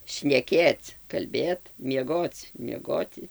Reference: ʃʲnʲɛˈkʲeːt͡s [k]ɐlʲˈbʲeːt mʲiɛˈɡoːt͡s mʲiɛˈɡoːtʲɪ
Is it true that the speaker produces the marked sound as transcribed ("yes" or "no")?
yes